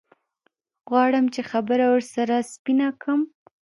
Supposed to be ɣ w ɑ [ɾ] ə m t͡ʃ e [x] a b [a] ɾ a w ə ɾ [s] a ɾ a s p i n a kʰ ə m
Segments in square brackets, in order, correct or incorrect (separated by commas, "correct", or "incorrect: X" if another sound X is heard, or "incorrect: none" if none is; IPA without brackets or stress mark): incorrect: ɽ, correct, incorrect: ə, correct